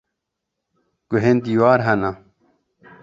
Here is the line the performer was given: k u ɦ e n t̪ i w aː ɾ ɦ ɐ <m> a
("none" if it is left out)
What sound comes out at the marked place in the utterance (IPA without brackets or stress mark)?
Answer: n